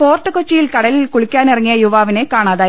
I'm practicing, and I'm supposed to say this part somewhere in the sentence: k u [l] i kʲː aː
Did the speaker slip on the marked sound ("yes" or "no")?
yes